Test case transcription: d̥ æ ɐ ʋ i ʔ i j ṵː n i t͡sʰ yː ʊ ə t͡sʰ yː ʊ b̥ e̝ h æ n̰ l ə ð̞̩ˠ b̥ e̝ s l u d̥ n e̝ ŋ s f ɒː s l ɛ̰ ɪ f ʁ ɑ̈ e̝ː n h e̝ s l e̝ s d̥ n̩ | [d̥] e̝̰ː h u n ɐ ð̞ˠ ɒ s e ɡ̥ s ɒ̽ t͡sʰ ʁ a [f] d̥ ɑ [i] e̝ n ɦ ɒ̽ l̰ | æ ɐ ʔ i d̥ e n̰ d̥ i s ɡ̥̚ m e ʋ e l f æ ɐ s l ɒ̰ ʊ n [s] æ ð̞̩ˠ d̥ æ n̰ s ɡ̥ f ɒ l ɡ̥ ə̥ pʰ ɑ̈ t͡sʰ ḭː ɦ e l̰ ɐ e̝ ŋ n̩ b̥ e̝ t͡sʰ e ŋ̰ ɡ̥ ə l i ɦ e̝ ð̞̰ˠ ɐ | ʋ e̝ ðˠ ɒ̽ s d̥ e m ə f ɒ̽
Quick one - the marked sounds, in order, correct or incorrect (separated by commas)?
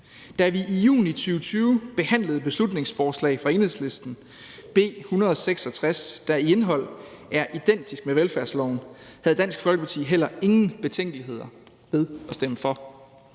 incorrect, incorrect, correct, incorrect